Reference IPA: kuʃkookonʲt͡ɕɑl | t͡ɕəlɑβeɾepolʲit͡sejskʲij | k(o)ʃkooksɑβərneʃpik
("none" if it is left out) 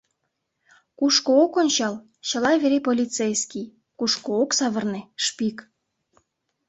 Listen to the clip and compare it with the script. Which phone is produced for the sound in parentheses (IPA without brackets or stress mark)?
u